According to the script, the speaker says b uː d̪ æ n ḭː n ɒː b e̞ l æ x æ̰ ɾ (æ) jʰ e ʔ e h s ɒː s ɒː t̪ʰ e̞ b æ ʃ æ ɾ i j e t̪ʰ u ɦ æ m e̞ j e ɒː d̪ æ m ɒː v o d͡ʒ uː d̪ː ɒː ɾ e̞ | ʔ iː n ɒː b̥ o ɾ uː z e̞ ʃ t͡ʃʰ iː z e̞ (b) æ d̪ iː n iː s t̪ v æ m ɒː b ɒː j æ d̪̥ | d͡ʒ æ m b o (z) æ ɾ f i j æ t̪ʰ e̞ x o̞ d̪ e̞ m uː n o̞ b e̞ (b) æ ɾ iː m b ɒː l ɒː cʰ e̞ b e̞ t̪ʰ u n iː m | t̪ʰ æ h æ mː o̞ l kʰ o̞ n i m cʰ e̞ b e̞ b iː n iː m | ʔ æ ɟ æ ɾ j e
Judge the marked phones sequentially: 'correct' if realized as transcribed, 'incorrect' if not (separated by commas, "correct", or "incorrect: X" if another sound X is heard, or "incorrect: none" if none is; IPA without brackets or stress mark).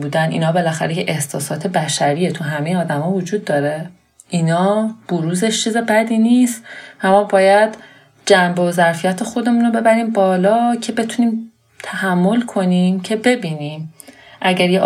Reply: incorrect: e, correct, correct, correct